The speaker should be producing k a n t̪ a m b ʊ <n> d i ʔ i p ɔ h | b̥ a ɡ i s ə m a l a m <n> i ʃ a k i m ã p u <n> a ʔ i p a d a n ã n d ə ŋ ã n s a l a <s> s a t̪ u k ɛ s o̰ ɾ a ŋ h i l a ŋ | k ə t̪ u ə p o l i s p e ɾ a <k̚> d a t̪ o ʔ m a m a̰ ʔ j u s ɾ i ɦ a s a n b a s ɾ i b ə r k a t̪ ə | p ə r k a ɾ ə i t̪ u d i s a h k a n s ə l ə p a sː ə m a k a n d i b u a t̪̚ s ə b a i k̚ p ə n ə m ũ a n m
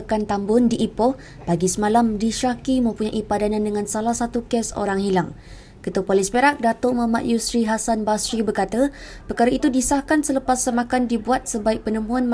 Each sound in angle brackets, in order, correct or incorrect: correct, incorrect, incorrect, incorrect, correct

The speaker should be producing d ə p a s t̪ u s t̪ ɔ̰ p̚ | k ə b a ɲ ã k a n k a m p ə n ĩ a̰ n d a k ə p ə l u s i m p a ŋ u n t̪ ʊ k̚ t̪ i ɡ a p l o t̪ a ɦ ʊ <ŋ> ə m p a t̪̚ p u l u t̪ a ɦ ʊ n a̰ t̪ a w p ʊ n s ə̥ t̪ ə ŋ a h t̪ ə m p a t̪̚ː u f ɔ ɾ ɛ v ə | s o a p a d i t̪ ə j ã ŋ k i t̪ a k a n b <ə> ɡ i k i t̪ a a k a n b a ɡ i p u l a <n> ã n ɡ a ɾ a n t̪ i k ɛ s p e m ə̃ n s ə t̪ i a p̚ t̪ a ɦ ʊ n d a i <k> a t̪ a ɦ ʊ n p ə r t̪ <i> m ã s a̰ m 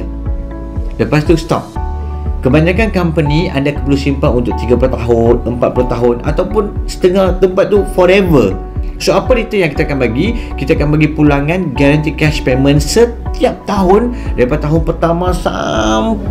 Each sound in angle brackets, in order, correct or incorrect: incorrect, incorrect, incorrect, incorrect, incorrect

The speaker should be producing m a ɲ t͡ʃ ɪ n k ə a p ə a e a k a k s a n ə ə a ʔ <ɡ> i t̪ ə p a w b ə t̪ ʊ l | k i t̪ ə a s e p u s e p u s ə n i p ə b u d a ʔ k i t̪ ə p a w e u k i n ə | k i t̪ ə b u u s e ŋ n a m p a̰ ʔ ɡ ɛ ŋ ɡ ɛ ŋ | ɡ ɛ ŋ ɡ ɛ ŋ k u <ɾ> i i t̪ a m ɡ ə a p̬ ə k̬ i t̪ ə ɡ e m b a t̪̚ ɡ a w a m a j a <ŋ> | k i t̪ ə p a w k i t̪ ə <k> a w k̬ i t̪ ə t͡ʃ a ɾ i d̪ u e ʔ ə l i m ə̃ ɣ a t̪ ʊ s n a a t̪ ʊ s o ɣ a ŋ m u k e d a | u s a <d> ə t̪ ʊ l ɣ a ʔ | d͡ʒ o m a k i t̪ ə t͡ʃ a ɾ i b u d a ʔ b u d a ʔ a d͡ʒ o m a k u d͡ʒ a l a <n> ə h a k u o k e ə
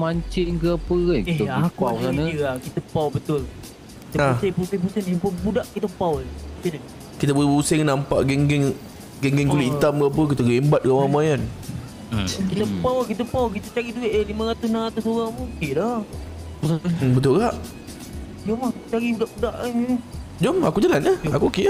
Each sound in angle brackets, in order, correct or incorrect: incorrect, incorrect, incorrect, incorrect, incorrect, correct

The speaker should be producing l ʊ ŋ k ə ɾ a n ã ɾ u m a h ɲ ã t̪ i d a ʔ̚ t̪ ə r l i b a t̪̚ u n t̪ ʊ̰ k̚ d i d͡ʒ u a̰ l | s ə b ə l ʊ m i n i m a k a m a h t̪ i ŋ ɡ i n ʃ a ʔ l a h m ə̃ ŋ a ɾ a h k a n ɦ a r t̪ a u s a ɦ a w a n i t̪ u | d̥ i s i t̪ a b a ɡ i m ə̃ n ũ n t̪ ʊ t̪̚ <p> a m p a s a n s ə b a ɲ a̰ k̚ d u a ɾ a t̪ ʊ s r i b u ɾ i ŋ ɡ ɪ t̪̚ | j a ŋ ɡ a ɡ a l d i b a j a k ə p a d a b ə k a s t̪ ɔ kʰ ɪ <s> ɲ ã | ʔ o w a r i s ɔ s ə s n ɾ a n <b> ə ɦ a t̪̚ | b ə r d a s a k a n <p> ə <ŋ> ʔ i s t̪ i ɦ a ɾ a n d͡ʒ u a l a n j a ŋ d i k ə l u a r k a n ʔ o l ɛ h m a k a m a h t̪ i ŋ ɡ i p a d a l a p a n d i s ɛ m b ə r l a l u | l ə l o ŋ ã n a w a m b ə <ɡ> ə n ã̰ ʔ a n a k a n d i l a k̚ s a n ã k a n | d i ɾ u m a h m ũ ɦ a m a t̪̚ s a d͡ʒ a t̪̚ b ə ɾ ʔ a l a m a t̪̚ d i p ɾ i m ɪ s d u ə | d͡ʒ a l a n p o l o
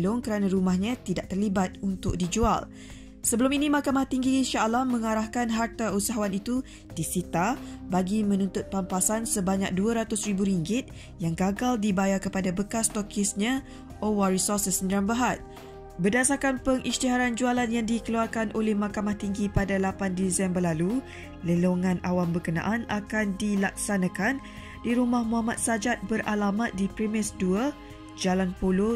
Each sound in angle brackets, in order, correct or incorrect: correct, correct, correct, correct, correct, incorrect

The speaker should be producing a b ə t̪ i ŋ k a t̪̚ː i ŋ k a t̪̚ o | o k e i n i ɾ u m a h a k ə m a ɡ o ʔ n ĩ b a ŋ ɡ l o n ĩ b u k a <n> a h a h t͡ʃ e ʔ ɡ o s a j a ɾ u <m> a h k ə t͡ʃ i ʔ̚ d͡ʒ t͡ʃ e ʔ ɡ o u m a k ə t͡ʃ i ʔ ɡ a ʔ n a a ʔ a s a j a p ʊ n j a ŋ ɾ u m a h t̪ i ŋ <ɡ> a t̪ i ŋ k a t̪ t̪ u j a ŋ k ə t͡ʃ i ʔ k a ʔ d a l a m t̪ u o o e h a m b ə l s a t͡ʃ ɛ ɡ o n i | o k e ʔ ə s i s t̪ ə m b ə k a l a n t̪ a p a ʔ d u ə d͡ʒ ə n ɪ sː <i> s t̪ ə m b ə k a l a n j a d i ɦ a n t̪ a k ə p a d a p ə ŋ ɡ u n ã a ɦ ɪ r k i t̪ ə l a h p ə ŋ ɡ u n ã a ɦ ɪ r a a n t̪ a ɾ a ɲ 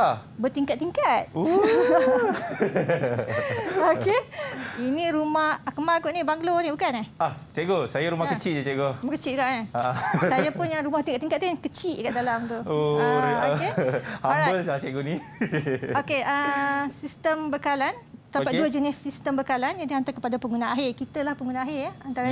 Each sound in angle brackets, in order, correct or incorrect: correct, correct, incorrect, correct

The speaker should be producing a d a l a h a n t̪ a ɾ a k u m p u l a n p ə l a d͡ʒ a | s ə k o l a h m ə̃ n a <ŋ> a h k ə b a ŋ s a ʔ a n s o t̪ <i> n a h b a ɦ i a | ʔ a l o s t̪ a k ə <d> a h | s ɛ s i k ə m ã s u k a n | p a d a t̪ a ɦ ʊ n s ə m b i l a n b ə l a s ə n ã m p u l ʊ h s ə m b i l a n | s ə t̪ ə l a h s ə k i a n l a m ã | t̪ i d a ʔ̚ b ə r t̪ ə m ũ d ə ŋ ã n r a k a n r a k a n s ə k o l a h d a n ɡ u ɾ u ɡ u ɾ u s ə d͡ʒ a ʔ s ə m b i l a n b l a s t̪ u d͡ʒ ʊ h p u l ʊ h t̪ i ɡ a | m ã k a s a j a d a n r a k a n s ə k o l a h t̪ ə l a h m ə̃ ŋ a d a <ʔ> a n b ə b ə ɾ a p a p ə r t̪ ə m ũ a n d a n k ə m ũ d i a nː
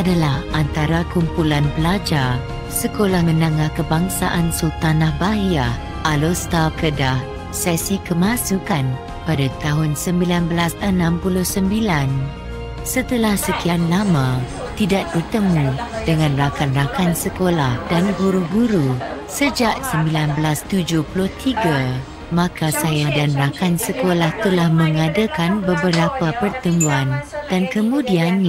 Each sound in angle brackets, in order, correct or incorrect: correct, incorrect, correct, incorrect

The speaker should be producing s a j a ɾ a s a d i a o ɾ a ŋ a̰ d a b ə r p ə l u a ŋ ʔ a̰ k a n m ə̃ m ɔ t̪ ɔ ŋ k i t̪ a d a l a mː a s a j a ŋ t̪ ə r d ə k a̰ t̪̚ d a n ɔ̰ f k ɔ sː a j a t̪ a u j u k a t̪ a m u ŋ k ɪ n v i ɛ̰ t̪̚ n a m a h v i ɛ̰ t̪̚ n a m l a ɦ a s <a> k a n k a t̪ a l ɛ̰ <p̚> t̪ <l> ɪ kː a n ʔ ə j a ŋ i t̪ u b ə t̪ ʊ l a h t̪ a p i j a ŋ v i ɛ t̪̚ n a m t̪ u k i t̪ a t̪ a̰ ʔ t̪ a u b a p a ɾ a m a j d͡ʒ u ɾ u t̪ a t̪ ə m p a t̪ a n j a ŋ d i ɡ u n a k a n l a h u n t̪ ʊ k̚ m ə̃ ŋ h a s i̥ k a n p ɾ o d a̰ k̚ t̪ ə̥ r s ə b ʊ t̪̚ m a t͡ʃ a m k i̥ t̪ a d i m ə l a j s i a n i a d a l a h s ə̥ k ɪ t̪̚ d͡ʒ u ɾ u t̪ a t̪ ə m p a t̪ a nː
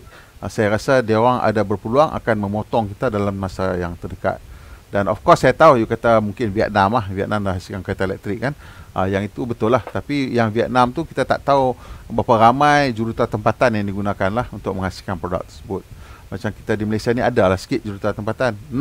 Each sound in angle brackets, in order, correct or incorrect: incorrect, incorrect, incorrect

